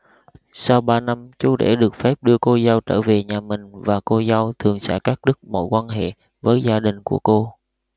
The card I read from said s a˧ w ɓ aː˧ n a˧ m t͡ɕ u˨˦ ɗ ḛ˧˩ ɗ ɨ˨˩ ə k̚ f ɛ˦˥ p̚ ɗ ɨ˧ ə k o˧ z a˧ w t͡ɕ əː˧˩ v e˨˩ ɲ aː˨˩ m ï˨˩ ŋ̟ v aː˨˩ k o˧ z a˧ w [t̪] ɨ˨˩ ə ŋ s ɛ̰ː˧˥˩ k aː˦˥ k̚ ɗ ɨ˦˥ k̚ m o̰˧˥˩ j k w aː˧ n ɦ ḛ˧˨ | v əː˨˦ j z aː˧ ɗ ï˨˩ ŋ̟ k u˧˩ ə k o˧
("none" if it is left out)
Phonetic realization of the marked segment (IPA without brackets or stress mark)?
t̪ʰ